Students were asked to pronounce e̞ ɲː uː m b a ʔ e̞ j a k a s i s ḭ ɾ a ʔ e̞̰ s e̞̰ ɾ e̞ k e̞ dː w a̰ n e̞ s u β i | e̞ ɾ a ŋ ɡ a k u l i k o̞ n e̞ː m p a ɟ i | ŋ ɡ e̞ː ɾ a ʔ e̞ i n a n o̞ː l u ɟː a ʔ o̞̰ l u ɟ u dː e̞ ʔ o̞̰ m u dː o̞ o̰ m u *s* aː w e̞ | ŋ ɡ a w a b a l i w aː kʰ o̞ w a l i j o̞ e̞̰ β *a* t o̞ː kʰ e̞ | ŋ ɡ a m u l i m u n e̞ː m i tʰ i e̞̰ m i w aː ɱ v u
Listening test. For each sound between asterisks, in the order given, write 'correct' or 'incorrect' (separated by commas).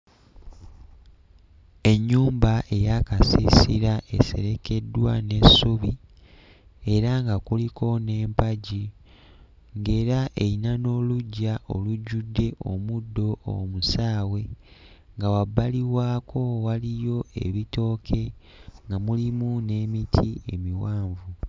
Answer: correct, incorrect